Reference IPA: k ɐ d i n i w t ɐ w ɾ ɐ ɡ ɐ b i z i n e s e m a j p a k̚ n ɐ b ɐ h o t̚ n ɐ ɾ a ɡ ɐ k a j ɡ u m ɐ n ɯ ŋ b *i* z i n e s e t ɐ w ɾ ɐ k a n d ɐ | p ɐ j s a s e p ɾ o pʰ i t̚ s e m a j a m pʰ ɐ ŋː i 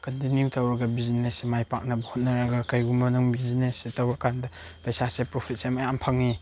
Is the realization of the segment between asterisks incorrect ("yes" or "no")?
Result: no